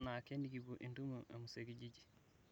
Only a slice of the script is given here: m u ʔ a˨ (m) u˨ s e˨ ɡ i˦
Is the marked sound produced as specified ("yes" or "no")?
yes